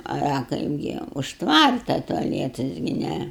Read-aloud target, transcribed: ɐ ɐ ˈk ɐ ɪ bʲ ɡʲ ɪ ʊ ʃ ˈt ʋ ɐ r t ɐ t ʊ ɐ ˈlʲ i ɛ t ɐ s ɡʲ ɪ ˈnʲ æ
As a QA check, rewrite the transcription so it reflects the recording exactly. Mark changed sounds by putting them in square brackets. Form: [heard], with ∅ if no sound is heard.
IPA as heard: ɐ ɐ ˈk ɐ ɪ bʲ ɡʲ ɪ ʊ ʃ ˈt ʋ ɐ r t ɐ t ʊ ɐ ˈlʲ i ɛ t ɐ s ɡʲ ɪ ˈnʲ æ